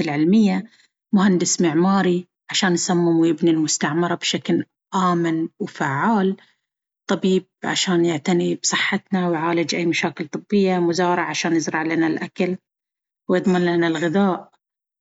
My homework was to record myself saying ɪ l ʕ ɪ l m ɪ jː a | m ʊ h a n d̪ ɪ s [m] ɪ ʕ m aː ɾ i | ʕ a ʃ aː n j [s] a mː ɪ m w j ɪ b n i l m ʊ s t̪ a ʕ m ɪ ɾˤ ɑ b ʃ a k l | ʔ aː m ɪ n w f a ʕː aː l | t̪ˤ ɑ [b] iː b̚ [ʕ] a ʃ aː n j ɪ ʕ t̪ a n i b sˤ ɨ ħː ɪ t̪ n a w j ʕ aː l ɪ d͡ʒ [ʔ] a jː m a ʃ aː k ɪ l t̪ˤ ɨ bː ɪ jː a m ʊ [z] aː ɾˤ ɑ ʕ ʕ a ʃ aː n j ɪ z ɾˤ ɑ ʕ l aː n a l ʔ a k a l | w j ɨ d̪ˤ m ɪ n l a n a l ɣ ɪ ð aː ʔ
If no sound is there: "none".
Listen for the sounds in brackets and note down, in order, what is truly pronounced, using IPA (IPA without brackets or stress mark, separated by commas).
m, s, b, ʕ, ʔ, z